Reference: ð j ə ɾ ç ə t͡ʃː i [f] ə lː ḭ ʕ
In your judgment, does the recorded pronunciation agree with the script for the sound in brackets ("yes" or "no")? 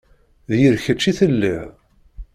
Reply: no